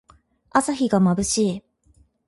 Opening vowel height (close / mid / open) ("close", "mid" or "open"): open